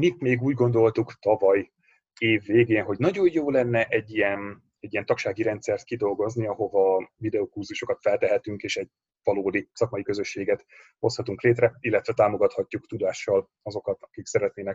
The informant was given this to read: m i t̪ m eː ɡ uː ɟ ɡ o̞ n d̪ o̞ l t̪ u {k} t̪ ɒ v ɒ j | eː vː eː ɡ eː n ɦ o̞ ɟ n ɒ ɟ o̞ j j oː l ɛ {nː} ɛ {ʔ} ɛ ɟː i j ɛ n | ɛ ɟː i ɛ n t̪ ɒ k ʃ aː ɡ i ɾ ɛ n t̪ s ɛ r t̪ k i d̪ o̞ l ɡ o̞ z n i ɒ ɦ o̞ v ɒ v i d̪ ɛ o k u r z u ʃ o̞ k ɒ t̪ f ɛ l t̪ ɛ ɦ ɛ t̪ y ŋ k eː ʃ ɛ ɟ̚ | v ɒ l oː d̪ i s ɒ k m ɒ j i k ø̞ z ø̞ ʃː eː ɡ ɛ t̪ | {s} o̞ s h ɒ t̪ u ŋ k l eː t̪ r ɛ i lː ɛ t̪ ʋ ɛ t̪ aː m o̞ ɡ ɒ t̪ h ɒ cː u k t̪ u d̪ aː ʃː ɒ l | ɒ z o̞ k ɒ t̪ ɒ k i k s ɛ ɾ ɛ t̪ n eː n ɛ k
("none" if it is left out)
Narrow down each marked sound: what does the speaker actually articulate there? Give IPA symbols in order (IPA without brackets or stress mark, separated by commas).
k, nː, ʔ, h